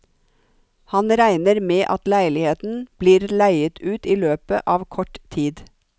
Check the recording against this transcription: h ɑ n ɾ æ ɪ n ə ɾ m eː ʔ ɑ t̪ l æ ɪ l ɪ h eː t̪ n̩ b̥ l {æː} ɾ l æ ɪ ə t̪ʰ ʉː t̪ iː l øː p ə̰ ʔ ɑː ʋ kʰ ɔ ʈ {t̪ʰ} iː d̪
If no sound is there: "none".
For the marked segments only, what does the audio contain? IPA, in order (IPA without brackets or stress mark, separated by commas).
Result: iː, t̪ʰ